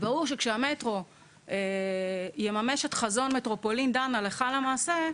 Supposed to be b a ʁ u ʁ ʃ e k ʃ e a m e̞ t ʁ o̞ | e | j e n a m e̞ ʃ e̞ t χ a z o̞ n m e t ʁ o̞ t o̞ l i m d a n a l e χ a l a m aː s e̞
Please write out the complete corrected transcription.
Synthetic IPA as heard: b a ʁ u ʁ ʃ e k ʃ e a m e̞ t ʁ o̞ | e | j e m a m e̞ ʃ e̞ t χ a z o̞ n m e t ʁ o̞ p o̞ l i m d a n a l e χ a l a m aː s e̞